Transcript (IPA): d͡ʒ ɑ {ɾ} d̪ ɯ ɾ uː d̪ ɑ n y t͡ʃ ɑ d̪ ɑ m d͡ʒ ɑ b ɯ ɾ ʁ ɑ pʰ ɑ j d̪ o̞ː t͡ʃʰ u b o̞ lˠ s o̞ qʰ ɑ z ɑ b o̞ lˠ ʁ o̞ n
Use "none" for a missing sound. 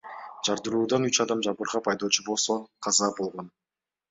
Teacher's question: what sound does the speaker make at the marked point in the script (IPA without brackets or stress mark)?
ɾ